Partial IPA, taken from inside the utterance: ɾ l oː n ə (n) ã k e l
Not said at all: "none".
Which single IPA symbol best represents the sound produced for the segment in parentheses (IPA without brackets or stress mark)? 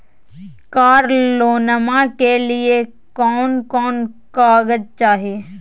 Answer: m